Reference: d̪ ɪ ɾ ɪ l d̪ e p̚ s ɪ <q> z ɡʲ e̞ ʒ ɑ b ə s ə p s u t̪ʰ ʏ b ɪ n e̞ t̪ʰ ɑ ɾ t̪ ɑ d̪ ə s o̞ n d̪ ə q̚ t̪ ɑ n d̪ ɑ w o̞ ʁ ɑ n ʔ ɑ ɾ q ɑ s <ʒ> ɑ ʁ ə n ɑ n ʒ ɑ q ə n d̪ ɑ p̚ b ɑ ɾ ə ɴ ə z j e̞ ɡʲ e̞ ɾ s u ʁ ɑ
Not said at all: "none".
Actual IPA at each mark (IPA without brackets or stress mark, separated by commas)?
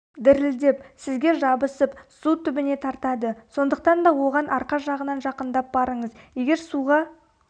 none, ʒ